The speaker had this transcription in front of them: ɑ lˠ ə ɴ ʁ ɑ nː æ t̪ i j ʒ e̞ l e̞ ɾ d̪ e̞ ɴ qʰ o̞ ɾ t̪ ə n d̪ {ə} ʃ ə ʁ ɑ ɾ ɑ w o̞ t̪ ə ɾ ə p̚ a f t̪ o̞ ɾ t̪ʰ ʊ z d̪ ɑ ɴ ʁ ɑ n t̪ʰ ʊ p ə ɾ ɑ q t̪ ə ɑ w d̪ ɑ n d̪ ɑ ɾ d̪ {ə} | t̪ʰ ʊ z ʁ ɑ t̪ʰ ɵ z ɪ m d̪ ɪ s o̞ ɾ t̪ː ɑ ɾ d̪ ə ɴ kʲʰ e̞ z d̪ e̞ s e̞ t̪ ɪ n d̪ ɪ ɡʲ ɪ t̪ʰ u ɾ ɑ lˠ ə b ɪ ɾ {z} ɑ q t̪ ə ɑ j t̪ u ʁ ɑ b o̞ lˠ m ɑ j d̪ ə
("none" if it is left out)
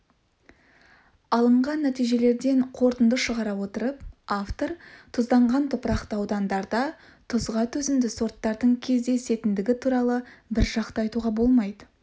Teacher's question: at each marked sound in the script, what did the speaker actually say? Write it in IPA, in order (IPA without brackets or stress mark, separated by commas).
ə, ɑ, ʒ